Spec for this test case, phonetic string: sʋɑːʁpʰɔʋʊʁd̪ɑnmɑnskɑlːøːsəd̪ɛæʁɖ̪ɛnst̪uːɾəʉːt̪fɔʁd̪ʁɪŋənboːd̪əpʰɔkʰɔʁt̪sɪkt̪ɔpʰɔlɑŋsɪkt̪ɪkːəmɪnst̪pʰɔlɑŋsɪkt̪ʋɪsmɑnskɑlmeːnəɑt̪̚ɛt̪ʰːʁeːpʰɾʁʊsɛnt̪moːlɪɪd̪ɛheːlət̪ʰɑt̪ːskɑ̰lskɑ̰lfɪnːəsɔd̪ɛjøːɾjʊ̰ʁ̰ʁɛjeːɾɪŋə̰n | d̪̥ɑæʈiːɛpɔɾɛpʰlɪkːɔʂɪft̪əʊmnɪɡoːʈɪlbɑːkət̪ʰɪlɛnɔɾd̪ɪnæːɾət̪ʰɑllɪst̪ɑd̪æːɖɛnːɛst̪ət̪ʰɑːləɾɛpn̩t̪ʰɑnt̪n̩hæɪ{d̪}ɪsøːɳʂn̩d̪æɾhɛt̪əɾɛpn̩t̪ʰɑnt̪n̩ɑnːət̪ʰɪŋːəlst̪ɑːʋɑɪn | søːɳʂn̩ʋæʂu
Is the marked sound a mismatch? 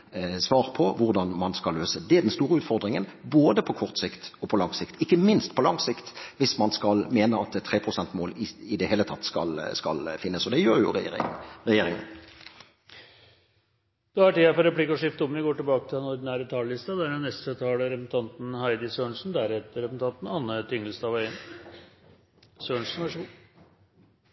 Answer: no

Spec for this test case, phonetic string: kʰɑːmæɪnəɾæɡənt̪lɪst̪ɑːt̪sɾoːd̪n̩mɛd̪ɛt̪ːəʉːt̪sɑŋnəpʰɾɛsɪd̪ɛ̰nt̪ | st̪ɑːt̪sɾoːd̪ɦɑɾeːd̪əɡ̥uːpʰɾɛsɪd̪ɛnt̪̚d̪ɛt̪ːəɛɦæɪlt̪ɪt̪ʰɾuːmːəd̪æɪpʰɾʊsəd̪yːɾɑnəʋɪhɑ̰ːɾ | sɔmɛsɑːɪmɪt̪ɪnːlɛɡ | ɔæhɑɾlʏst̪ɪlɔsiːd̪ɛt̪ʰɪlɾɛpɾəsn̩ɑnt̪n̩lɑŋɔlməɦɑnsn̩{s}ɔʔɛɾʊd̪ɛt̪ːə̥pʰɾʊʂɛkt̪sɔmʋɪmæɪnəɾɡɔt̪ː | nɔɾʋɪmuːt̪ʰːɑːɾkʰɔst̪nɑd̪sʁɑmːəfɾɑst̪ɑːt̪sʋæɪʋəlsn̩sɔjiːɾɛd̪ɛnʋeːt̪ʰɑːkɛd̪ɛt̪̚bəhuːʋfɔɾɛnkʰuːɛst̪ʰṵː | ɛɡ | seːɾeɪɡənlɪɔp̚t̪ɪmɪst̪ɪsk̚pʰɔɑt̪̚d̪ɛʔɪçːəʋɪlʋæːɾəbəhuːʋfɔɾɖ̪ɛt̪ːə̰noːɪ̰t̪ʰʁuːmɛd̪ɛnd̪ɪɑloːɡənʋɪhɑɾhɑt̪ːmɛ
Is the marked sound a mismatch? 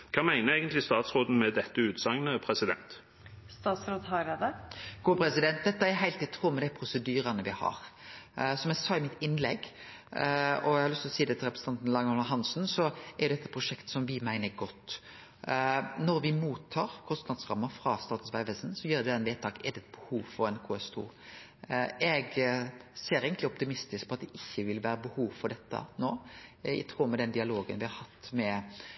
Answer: no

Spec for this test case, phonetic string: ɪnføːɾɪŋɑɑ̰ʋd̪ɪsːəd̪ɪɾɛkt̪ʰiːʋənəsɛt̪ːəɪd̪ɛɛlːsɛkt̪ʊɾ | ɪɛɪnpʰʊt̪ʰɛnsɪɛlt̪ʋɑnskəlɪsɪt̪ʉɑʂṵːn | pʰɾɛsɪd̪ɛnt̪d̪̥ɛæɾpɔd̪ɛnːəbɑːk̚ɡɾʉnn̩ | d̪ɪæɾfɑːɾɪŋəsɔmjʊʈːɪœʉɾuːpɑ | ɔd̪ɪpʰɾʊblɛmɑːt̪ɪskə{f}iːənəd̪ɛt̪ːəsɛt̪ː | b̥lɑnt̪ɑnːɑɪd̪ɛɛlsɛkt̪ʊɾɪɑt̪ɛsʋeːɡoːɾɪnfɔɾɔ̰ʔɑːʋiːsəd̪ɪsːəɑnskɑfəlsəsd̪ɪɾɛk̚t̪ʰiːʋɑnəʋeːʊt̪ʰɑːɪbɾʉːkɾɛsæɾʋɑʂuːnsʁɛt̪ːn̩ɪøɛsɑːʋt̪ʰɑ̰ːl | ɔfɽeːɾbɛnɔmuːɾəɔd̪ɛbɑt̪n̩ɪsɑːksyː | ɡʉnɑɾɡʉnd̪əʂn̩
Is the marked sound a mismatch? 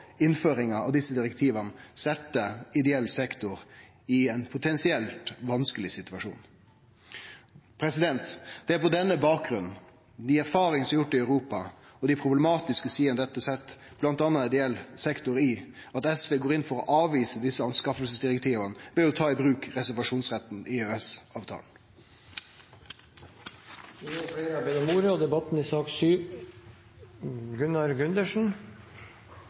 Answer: yes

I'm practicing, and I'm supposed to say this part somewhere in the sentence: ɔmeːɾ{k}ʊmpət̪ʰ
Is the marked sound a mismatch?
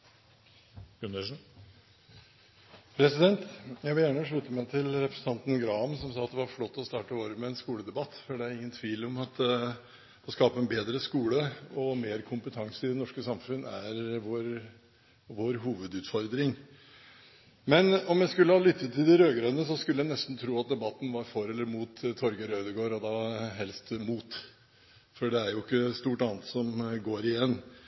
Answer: yes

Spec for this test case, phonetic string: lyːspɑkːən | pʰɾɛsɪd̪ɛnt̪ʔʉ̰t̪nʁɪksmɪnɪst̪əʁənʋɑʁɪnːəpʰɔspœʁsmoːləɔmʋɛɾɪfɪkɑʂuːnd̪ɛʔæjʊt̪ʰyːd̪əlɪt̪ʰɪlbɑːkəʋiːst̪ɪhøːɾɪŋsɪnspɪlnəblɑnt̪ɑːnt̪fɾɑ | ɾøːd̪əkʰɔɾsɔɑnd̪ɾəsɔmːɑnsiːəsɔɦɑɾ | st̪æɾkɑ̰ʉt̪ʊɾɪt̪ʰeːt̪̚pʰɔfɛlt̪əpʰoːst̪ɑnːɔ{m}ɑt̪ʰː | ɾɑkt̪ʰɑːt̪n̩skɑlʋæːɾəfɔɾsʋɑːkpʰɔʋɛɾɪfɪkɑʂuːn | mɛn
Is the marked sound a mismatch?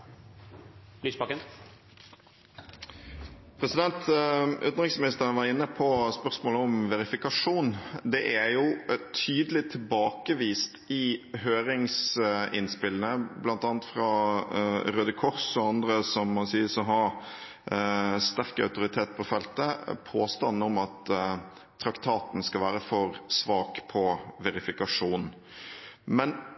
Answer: no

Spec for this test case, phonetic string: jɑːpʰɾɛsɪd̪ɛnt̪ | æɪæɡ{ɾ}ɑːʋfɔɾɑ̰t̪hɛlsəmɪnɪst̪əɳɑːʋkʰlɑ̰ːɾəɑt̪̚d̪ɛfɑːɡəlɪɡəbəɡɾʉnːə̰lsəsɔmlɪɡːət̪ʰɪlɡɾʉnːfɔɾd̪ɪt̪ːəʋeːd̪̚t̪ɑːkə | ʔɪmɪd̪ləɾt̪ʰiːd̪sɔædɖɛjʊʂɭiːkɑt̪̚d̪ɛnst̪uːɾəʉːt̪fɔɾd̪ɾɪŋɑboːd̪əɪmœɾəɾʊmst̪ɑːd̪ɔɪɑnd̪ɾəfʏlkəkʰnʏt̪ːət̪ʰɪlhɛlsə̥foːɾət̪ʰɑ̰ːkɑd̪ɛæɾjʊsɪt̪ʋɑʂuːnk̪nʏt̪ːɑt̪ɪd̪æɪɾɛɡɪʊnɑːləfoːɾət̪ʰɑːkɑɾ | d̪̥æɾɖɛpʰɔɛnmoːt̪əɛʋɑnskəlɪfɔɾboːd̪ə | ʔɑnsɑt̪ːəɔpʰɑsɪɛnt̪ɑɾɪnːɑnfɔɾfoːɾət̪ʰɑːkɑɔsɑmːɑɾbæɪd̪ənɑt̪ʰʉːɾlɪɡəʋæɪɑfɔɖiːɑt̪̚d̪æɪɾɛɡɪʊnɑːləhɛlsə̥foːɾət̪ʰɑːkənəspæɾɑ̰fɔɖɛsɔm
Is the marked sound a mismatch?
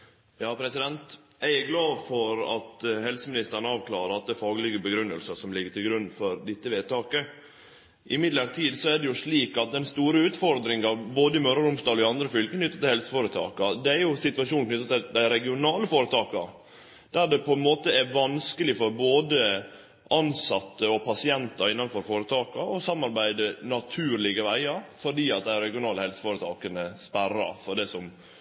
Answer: yes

